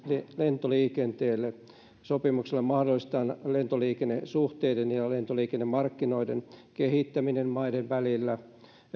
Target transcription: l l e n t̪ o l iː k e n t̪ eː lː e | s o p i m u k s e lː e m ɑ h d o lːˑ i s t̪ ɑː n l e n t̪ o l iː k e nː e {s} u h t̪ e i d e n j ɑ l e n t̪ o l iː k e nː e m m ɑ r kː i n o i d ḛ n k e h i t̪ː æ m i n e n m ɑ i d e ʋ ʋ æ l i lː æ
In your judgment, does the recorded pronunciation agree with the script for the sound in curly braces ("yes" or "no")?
yes